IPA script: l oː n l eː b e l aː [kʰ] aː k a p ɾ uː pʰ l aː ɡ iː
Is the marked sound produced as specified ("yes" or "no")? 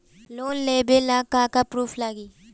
no